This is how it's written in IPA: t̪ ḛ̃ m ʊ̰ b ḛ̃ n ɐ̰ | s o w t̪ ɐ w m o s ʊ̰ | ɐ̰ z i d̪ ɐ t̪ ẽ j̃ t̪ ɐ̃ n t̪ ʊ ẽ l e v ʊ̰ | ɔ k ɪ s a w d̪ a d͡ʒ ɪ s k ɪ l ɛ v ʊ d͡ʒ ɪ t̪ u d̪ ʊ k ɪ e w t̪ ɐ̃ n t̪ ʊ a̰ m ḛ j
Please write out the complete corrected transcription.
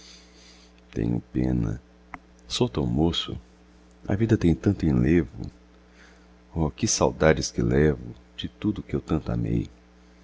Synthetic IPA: t̪ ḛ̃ ɲ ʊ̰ p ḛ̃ n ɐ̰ | s o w t̪ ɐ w m o s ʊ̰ | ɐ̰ v i d̪ ɐ t̪ ẽ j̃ t̪ ɐ̃ n t̪ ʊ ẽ l e v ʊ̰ | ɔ k ɪ s a w d̪ a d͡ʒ ɪ s k ɪ l ɛ v ʊ d͡ʒ ɪ t̪ u d̪ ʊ k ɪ e w t̪ ɐ̃ n t̪ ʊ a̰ m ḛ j